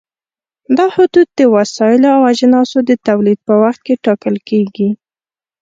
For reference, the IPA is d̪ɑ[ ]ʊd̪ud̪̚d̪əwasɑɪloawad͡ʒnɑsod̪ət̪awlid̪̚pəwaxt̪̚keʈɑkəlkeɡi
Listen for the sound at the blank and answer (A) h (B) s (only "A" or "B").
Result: A